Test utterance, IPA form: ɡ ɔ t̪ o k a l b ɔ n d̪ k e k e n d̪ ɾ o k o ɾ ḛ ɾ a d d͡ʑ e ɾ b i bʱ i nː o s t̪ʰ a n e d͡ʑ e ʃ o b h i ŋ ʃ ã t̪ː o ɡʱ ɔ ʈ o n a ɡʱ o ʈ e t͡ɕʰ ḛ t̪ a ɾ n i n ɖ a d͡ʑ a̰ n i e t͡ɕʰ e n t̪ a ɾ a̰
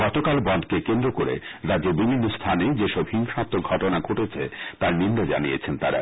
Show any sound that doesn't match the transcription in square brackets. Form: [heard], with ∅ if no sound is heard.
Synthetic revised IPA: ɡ ɔ t̪ o k a l b ɔ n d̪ k e k e n d̪ ɾ o k o ɾ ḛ ɾ a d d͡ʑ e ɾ b i bʱ i nː o s t̪ʰ a n e d͡ʑ e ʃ [ɔ] b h i ŋ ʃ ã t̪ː o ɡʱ ɔ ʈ o n a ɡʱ o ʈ e t͡ɕʰ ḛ t̪ a ɾ n i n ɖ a d͡ʑ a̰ n i e t͡ɕʰ e n t̪ a ɾ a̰

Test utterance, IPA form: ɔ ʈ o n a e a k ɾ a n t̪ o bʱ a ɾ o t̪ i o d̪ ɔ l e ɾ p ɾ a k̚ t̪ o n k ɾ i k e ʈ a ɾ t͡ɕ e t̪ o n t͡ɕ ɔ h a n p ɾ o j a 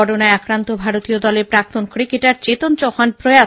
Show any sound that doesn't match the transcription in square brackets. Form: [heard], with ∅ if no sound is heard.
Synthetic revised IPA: ɔ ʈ o n a e a k ɾ a n t̪ o bʱ a ɾ o t̪ i o d̪ ɔ l e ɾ p ɾ a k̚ t̪ o n k ɾ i k e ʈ a ɾ t͡ɕ e t̪ o n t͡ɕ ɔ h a n p ɾ o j a

